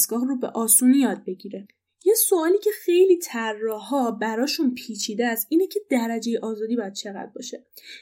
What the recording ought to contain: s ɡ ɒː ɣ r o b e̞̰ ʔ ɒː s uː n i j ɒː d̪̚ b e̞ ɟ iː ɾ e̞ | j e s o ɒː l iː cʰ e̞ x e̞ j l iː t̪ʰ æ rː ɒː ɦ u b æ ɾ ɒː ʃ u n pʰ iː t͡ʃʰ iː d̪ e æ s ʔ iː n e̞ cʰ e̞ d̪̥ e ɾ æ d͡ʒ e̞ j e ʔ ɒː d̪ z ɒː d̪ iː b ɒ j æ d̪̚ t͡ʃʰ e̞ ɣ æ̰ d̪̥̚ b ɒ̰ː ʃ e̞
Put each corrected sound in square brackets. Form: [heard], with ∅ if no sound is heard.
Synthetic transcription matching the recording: s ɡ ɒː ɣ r o b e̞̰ ʔ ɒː s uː n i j ɒː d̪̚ b e̞ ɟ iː ɾ e̞ | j e s o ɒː l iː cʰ e̞ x e̞ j l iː t̪ʰ æ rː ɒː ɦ [ɒ] b æ ɾ ɒː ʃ u n pʰ iː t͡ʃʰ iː d̪ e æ s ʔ iː n e̞ cʰ e̞ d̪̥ [æ] ɾ æ d͡ʒ e̞ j e ʔ ɒː [∅] z ɒː d̪ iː b ɒ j æ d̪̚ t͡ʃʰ e̞ ɣ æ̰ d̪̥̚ b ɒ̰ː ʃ e̞